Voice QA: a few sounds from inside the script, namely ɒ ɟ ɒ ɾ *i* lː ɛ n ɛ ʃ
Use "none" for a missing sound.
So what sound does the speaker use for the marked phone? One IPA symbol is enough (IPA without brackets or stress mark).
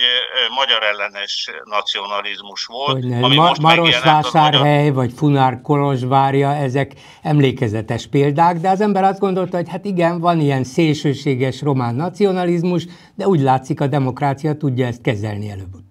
ɛ